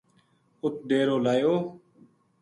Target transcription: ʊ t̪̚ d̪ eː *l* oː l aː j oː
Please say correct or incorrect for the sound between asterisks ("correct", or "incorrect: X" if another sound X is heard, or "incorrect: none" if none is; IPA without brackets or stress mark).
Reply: incorrect: ɾ